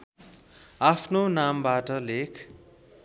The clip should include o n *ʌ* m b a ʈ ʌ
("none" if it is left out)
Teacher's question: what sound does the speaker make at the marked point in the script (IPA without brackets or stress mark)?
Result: a